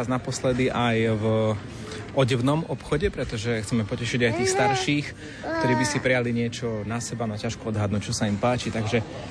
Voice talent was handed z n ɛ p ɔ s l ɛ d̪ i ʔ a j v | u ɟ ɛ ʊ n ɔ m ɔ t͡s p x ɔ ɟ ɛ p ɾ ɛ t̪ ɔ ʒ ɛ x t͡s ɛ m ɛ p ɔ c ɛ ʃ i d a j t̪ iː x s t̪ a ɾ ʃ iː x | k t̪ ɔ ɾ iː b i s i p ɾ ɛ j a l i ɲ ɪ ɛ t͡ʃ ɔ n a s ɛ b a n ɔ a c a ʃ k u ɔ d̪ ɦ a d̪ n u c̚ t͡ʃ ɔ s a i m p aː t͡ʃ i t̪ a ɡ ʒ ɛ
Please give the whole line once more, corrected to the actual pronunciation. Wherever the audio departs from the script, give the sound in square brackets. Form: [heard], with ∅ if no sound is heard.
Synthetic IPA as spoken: z n [a] p ɔ s l ɛ d̪ i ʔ a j v | [ɔ] ɟ ɛ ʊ n ɔ m ɔ [∅] p x ɔ ɟ ɛ p ɾ ɛ t̪ ɔ ʒ ɛ x t͡s ɛ m ɛ p ɔ c ɛ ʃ i [ɟ] a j t̪ iː x s t̪ a ɾ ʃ iː x | k t̪ ɔ ɾ iː b i s i p ɾ ɛ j a l i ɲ ɪ ɛ t͡ʃ ɔ n a s ɛ b a n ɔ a c a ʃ k u ɔ d̪ ɦ a d̪ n u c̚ t͡ʃ ɔ s a i m p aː t͡ʃ i t̪ a ɡ ʒ ɛ